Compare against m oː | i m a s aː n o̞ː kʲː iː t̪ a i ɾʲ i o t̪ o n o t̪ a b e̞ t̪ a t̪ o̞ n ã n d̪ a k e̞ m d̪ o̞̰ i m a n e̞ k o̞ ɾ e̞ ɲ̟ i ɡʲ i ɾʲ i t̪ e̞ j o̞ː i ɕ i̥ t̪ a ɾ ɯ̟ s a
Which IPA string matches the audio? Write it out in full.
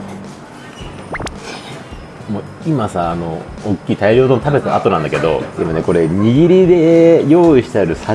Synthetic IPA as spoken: m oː | i m a s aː n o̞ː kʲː iː t̪ a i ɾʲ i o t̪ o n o t̪ a b e̞ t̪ a t̪ o̞ n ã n d̪ a k e̞ d̪ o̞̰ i m a n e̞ k o̞ ɾ e̞ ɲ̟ i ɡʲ i ɾʲ i d̪ e̞ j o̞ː i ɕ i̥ t̪ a ɾ ɯ̟ s a